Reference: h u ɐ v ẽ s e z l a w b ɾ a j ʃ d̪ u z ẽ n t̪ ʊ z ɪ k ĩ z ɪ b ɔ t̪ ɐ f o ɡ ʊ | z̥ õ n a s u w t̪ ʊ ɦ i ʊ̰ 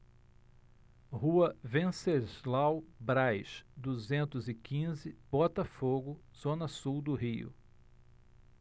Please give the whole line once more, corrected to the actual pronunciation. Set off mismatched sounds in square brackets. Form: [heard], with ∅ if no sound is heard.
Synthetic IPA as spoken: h u ɐ v ẽ s e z l a w b ɾ a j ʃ d̪ u z ẽ n t̪ ʊ z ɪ k ĩ z ɪ b ɔ t̪ ɐ f o ɡ ʊ | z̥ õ n [ɐ] s u w [d̪] ʊ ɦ i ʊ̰